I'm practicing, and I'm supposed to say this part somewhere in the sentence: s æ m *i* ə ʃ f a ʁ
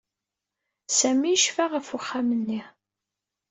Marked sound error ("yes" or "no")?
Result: no